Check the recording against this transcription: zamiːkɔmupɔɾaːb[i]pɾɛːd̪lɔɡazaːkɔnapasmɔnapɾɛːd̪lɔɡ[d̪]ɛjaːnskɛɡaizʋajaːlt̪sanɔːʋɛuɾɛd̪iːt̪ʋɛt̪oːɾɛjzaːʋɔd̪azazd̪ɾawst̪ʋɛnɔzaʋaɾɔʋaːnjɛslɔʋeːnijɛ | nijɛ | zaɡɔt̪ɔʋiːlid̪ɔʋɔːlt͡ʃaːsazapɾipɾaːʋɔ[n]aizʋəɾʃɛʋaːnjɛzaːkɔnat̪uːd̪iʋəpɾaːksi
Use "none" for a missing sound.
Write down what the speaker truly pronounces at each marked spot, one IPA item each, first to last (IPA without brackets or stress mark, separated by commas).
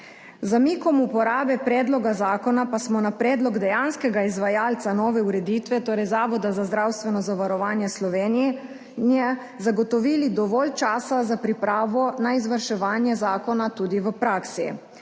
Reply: ɛ, d̪, n